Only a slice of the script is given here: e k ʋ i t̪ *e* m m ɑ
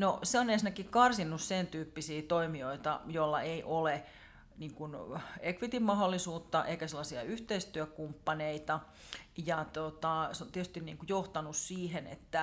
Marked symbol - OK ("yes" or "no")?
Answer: no